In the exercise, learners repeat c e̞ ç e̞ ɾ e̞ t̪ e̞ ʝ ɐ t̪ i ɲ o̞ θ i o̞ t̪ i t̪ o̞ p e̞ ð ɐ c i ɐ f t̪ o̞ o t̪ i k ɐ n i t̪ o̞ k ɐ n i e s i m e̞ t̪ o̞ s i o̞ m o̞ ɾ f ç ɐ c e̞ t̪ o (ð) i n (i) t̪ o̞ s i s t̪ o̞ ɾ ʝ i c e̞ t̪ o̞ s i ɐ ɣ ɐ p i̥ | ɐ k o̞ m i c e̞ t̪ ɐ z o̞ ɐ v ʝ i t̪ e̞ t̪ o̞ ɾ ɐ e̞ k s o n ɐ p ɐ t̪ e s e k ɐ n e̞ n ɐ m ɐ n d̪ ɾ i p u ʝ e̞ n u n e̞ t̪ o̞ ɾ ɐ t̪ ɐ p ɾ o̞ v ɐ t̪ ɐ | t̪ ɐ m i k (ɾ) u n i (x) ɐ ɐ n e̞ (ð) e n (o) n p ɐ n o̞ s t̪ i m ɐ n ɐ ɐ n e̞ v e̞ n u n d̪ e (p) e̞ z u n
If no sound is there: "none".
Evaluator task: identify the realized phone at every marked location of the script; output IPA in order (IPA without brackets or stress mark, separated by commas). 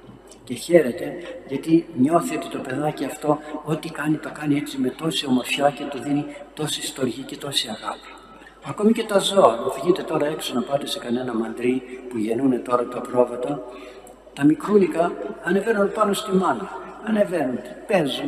ð, i, ɾ, k, v, u, p